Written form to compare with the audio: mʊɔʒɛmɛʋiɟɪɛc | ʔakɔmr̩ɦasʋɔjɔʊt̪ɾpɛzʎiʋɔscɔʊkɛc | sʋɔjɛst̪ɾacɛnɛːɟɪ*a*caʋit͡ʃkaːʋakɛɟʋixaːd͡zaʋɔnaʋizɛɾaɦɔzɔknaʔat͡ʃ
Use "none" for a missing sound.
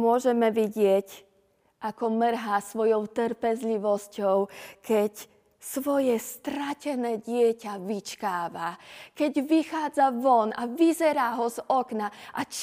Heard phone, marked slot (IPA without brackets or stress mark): ɛ